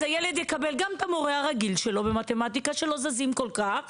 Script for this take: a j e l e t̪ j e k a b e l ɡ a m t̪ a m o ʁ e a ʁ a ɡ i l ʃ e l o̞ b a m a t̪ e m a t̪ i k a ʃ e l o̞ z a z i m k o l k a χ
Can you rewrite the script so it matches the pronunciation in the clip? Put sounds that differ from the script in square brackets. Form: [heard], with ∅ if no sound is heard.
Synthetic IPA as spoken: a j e l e [d̪] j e k a b e l ɡ a m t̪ a m o ʁ e a ʁ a ɡ i l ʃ e l o̞ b [e] m a t̪ e m a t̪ i k a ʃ e l o̞ z a z i m k o l k a χ